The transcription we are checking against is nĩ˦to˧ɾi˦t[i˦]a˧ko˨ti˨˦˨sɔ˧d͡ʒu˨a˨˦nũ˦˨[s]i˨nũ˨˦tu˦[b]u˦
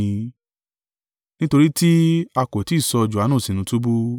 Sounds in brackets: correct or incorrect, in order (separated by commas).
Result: correct, correct, correct